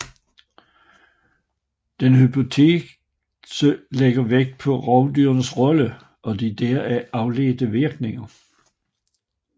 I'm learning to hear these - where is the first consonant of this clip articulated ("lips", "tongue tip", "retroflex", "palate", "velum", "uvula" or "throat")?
tongue tip